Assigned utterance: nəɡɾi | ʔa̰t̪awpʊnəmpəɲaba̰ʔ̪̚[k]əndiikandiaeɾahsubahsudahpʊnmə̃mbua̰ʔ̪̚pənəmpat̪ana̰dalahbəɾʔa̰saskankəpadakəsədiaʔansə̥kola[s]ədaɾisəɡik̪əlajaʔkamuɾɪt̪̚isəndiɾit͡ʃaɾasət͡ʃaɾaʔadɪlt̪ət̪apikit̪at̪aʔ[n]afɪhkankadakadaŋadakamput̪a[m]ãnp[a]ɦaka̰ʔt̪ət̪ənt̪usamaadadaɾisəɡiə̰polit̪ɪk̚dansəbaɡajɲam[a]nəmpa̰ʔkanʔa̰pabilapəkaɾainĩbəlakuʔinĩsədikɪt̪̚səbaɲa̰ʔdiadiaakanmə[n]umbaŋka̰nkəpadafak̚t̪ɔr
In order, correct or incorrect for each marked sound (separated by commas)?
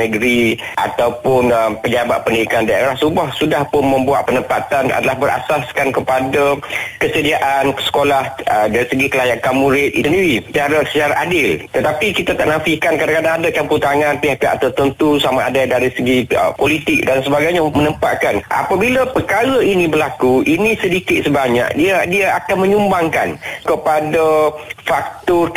incorrect, incorrect, correct, incorrect, incorrect, incorrect, incorrect